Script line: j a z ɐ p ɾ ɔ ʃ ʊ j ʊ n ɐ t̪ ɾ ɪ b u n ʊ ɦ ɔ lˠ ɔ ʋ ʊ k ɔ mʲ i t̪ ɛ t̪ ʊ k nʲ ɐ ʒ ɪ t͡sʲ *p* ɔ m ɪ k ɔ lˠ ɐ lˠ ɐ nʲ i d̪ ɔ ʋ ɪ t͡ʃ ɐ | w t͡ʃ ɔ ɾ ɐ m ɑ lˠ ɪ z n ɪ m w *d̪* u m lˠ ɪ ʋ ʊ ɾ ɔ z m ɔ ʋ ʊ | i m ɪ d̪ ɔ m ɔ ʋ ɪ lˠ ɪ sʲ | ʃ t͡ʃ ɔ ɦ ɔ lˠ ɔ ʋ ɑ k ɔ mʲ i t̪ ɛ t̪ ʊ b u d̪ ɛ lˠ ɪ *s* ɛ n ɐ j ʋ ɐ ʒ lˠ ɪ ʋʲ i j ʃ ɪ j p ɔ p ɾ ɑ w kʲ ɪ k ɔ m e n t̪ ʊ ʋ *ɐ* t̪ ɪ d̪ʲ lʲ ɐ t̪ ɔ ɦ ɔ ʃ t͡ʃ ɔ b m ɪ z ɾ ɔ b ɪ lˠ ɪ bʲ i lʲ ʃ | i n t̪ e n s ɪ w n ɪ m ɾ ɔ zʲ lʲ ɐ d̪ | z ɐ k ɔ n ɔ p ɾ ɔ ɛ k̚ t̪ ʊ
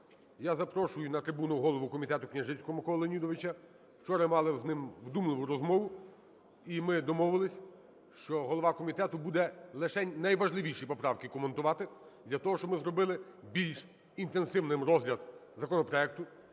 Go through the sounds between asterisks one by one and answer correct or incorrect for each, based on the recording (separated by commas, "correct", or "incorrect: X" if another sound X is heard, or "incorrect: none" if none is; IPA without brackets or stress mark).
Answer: incorrect: k, correct, incorrect: ʃ, incorrect: ɑ